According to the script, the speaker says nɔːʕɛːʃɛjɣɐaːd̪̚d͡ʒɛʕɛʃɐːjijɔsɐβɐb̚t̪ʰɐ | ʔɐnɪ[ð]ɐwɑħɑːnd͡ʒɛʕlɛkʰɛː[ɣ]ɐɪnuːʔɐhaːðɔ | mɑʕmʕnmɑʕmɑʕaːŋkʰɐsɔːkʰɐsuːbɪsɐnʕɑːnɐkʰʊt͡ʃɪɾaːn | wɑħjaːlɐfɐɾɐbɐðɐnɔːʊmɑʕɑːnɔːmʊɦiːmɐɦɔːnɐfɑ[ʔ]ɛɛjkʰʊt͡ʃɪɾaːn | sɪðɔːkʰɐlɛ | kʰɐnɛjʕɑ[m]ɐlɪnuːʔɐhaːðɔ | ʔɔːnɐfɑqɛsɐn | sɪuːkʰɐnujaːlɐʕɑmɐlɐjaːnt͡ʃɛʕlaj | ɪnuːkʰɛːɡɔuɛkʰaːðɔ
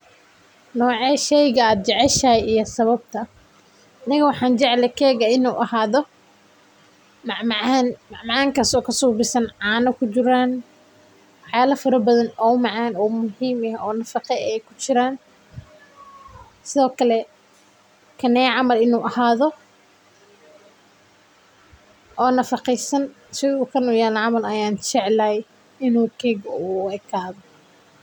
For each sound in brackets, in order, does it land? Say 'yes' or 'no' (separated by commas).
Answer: no, yes, no, yes